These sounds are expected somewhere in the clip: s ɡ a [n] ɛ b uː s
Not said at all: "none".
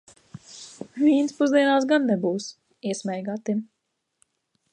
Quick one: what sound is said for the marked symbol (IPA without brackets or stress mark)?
nː